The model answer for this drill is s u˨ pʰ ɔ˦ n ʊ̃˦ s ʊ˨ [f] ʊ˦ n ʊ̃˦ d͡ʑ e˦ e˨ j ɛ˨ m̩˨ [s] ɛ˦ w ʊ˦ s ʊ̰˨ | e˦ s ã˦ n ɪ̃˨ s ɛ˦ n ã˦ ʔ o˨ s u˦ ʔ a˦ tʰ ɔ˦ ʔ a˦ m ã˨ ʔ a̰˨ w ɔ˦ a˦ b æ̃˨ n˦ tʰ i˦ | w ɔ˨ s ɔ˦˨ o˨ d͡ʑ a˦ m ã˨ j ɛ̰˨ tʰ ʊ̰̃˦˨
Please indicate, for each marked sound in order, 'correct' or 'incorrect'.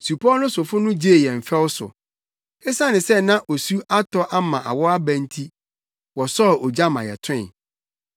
correct, incorrect: f

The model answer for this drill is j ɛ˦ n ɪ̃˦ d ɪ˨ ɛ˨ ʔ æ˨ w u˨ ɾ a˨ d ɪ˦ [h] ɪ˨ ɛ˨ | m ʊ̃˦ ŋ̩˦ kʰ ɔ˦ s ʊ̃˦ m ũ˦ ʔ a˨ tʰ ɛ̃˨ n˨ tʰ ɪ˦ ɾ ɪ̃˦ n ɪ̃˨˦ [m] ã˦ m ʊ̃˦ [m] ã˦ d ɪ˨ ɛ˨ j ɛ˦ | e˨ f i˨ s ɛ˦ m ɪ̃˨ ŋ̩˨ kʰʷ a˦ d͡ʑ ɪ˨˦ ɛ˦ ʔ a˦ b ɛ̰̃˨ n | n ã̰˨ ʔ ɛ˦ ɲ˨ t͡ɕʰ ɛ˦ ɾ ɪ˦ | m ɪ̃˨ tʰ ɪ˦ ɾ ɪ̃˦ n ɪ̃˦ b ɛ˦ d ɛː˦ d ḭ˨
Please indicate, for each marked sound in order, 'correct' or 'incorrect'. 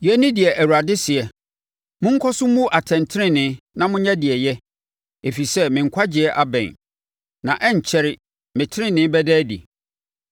incorrect: s, incorrect: n, incorrect: ɲ

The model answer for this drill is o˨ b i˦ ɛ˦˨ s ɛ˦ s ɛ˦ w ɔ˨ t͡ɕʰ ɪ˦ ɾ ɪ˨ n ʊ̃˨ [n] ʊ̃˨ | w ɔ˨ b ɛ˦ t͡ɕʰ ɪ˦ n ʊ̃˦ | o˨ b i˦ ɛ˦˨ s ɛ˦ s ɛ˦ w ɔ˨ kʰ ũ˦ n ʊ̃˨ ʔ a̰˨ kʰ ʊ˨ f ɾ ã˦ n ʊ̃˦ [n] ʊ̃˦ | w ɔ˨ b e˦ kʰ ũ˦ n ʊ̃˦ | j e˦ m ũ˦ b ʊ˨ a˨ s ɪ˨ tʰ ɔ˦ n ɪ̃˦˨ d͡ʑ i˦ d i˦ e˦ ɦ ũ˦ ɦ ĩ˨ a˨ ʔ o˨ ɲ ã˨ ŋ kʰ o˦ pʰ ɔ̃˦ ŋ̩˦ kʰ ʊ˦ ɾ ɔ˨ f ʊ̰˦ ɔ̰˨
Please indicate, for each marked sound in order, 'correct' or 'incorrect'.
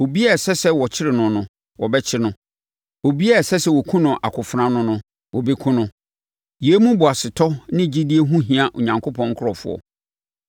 correct, correct

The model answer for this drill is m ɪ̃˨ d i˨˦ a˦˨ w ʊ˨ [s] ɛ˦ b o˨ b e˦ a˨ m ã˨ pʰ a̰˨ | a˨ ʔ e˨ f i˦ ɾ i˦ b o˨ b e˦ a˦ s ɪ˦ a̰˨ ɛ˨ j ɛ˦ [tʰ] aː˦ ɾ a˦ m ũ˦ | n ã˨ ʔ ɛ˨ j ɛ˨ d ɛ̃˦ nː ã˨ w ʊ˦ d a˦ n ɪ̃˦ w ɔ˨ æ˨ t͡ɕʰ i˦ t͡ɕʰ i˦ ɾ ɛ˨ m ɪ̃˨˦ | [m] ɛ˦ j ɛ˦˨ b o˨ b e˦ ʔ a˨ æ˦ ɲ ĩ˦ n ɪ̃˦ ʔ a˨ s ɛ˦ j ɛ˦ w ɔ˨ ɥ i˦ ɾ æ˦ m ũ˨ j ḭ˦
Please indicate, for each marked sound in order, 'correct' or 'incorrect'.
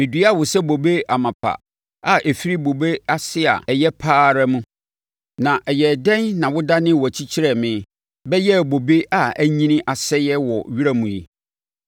correct, incorrect: pʰ, incorrect: b

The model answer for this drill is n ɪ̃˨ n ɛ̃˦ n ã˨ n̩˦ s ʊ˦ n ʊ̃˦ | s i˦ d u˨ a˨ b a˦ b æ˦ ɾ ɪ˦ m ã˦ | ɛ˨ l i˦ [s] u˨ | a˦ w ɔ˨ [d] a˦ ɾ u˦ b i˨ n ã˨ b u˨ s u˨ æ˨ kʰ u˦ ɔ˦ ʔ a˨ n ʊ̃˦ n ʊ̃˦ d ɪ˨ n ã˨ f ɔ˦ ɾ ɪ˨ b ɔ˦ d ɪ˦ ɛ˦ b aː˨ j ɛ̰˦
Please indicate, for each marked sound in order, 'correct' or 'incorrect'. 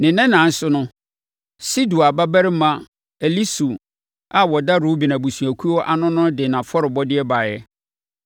correct, correct

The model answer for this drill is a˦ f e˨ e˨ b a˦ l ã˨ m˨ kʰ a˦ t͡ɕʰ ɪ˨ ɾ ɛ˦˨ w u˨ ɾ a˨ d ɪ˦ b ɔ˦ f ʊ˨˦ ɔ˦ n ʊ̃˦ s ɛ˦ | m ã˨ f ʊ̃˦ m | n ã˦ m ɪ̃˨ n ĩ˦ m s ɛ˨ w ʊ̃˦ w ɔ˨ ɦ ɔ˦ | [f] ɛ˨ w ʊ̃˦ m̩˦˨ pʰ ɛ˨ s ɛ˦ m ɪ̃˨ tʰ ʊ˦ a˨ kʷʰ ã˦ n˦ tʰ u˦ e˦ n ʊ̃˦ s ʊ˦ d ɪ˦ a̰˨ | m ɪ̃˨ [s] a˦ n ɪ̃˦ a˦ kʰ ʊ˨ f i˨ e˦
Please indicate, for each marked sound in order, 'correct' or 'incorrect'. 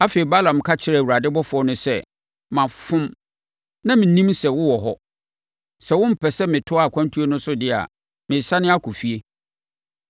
incorrect: s, correct

